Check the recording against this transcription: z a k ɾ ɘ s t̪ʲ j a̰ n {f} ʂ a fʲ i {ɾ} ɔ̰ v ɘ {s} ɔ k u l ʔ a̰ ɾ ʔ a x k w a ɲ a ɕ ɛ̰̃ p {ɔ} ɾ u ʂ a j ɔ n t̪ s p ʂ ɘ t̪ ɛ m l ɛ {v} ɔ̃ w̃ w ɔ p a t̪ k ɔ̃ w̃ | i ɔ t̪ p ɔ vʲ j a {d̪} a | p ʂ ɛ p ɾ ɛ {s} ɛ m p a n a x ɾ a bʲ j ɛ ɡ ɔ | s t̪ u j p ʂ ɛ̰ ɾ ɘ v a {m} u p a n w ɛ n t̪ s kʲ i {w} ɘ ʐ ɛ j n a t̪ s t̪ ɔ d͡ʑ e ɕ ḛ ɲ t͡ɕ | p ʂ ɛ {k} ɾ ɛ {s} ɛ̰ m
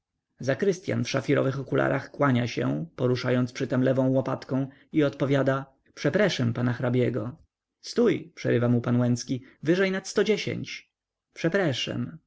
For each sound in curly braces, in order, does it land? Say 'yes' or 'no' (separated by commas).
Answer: yes, yes, no, yes, yes, yes, no, yes, no, no, no